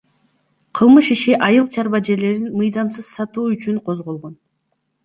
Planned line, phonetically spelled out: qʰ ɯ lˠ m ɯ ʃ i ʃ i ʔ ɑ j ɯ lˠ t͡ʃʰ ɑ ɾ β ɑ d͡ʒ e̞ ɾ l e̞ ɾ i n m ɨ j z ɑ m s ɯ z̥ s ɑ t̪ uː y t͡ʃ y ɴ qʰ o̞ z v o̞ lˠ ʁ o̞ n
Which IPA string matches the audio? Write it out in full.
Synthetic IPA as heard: qʰ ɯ lˠ m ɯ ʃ i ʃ i ʔ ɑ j ɯ lˠ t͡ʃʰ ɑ ɾ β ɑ d͡ʒ e̞ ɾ l e̞ ɾ i n m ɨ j z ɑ m s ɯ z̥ s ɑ t̪ uː y t͡ʃ y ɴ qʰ o̞ z ʁ o̞ lˠ ʁ o̞ n